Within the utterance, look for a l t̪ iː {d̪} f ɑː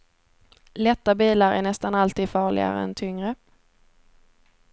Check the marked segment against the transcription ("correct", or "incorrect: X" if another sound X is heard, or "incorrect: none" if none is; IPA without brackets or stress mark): correct